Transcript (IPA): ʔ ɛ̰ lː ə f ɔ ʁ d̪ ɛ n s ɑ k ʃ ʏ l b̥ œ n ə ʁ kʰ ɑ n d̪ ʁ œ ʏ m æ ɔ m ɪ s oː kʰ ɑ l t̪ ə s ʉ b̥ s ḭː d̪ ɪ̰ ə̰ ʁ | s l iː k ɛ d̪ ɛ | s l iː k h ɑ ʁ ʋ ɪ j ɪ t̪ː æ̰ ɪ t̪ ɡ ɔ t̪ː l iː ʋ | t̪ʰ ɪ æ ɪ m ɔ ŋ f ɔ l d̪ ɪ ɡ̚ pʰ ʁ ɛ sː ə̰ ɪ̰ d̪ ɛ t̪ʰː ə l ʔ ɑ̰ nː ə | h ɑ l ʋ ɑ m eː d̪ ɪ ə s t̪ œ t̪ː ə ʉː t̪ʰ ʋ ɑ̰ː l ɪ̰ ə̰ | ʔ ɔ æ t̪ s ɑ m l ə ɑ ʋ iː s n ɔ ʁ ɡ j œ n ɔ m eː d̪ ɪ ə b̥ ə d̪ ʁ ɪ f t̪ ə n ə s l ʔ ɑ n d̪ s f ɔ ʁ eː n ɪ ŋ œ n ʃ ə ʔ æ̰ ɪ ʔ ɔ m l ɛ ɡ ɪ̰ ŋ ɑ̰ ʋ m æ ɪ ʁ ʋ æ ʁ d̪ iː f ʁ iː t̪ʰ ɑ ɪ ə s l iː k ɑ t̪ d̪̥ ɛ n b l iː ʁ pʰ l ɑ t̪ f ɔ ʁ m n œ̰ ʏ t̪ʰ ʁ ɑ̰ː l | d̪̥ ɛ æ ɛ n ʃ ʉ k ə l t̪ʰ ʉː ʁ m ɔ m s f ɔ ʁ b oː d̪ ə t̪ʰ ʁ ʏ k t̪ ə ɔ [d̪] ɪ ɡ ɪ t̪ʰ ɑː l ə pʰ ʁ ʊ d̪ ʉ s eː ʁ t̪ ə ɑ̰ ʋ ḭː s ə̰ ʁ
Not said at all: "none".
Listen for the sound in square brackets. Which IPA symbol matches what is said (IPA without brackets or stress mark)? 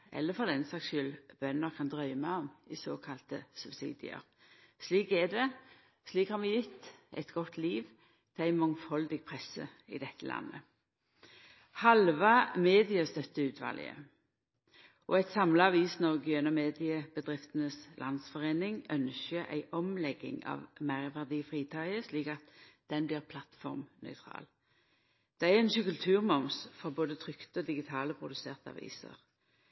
d̪